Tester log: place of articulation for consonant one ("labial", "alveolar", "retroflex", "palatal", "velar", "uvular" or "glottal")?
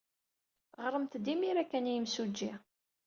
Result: uvular